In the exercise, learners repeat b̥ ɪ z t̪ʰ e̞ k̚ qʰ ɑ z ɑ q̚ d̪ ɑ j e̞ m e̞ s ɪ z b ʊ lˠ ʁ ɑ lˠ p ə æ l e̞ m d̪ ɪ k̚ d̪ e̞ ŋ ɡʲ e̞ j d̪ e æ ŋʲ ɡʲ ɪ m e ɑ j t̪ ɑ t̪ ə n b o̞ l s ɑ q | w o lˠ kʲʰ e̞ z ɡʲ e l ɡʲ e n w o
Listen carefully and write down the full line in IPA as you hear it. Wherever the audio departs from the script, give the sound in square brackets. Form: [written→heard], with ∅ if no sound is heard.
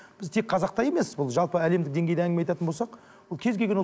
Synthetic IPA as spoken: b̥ ɪ z t̪ʰ e̞ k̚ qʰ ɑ z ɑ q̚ [d̪→t̪] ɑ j e̞ m e̞ s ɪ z b ʊ lˠ [ʁ→ʒ] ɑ lˠ p ə æ l e̞ m d̪ ɪ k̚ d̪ e̞ ŋ ɡʲ e̞ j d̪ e æ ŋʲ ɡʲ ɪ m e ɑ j t̪ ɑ t̪ ə n b o̞ l s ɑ q | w o lˠ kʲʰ e̞ z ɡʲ e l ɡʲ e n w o